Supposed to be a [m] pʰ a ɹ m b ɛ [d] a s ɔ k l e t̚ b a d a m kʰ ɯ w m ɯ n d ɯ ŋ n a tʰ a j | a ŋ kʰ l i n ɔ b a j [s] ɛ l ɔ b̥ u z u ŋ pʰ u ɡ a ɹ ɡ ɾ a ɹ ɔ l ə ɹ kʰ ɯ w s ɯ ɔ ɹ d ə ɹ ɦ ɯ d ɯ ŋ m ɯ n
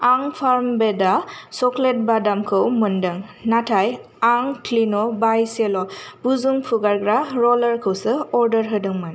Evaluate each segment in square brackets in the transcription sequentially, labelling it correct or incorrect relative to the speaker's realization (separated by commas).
incorrect, correct, correct